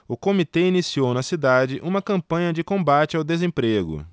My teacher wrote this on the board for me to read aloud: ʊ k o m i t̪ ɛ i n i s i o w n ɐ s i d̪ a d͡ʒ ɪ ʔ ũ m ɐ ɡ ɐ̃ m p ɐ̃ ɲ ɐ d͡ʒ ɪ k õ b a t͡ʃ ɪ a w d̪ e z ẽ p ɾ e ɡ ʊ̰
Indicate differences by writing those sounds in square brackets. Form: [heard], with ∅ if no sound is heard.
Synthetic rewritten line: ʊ k o m i t̪ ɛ i n i s i o w n ɐ s i d̪ a d͡ʒ ɪ ʔ ũ m ɐ [k] ɐ̃ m p ɐ̃ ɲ ɐ d͡ʒ ɪ k õ b a t͡ʃ ɪ a w d̪ e z ẽ p ɾ e ɡ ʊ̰